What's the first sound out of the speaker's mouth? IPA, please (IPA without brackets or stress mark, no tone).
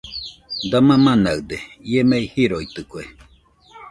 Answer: d̪